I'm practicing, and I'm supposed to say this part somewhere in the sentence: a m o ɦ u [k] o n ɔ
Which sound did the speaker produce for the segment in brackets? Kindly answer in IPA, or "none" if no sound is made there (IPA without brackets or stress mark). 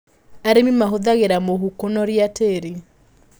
k